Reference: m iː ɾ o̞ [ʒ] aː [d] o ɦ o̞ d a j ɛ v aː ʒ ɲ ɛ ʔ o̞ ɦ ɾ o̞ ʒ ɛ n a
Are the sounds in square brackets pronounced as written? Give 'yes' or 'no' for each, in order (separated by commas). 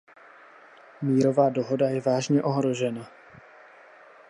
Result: no, yes